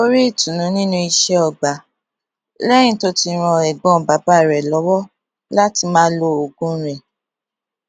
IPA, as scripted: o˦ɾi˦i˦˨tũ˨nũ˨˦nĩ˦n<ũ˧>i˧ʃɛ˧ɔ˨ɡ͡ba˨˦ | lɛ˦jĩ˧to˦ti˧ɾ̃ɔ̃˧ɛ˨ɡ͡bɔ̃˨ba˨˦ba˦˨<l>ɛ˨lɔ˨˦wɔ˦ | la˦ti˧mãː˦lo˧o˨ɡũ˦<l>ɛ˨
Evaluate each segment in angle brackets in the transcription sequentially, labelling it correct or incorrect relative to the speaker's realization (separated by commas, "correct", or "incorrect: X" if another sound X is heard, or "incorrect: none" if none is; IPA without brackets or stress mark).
correct, incorrect: ɾ, incorrect: ɾ